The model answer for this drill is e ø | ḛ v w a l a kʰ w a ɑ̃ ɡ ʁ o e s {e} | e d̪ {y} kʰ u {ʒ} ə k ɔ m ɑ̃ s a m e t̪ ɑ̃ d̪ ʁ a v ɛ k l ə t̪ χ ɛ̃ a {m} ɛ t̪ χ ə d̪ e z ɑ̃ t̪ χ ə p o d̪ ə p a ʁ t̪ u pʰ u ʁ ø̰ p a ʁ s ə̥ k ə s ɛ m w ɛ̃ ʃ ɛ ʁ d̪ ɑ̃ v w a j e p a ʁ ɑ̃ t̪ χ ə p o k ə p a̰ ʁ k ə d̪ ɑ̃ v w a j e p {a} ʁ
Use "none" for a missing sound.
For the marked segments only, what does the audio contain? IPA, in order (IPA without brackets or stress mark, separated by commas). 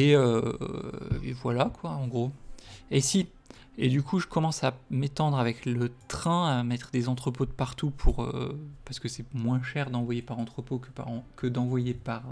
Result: i, y, ʒ, m, a